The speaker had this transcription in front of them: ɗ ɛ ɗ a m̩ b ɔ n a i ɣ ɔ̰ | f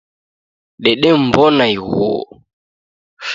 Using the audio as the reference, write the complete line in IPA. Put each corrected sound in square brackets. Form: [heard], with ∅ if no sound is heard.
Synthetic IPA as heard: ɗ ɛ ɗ [ɛ] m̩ b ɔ n a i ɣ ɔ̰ | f